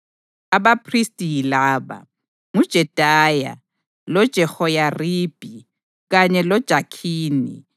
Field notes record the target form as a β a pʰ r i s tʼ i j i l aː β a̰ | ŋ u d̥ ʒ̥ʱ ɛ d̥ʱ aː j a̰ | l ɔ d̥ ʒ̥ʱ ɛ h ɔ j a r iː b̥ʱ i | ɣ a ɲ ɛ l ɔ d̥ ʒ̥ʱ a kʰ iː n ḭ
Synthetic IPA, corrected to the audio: a β a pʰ r i s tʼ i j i l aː β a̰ | ŋ u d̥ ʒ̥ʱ ɛ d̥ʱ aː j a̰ | l ɔ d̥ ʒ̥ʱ ɛ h ɔ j a r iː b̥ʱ i | ɣ a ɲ ɛ l ɔ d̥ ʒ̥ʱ a kʰ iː n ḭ